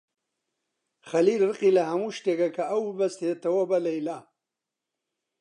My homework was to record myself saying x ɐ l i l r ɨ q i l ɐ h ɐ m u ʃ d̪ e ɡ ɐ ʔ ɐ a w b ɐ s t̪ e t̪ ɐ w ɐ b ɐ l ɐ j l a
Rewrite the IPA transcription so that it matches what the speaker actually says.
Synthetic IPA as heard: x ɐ l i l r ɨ q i l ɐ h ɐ m u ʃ t̪ e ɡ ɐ k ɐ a w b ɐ s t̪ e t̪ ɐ w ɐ b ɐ l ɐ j l a